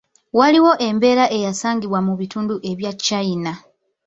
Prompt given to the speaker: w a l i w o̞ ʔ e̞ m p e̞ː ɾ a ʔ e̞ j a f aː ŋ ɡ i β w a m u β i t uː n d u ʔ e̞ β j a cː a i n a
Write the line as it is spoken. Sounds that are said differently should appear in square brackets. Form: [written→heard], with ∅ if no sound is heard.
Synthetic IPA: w a l i w o̞ ʔ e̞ m [p→b] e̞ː ɾ a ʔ e̞ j a [f→s] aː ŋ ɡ i β w a m u β i t uː n d u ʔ e̞ β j a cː a i n a